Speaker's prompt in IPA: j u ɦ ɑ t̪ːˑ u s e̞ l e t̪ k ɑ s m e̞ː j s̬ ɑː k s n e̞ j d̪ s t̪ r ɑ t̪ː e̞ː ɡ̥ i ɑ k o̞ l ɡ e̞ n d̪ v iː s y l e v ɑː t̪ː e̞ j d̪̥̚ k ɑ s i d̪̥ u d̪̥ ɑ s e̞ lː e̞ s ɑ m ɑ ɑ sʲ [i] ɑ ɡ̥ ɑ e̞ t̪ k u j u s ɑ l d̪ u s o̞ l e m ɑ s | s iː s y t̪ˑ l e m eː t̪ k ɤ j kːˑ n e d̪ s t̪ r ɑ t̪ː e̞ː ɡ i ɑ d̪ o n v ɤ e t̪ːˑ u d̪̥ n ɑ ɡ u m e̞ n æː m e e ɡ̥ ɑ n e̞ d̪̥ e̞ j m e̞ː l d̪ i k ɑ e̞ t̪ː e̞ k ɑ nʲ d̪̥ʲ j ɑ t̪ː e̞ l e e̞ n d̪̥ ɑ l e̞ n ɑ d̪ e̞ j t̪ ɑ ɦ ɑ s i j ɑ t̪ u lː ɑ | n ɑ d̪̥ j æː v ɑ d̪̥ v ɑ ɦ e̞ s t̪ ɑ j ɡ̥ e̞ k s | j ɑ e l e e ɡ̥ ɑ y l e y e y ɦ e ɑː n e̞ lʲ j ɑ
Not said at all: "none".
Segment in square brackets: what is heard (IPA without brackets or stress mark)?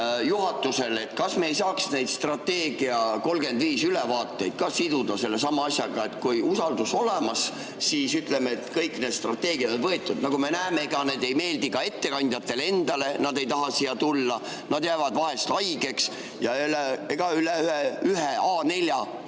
j